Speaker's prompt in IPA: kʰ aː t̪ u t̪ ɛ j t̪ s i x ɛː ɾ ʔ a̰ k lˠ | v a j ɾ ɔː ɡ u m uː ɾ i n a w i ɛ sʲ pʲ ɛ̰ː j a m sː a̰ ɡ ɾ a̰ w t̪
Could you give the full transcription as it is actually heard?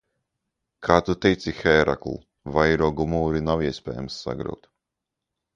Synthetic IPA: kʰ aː t̪ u t̪ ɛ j t̪ s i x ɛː ɾ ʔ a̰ k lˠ | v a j ɾ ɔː ɡ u m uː ɾ i n a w i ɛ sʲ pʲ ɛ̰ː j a m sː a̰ ɡ ɾ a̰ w t̪